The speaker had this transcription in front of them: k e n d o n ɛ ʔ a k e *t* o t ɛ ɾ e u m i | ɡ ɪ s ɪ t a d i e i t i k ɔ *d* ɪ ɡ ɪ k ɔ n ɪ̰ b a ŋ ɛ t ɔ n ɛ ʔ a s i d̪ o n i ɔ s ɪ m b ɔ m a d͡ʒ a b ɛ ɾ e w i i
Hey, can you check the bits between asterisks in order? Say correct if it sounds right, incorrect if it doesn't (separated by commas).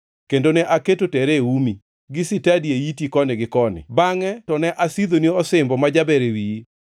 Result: correct, incorrect